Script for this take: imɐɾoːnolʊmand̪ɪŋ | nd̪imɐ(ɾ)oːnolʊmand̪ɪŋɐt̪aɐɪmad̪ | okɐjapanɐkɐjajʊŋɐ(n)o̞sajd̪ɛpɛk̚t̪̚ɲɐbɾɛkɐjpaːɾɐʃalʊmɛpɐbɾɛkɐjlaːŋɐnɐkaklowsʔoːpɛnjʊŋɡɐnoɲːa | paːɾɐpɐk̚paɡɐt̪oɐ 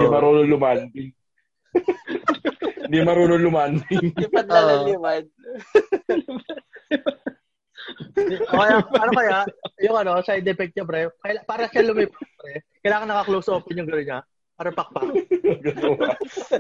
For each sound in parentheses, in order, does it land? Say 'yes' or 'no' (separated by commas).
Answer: yes, yes